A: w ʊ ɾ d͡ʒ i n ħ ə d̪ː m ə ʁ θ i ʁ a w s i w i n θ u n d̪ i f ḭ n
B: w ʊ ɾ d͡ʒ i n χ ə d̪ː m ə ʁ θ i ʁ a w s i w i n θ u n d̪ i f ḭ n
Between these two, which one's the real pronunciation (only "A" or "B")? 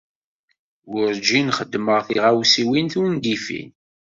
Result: B